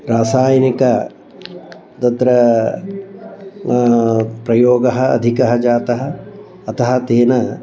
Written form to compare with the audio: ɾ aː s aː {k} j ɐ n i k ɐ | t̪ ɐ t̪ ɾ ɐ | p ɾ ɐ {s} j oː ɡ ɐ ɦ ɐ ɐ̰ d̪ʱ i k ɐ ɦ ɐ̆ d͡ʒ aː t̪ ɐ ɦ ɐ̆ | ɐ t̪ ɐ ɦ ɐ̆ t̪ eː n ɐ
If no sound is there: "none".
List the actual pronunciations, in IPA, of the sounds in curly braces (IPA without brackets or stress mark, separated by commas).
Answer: none, none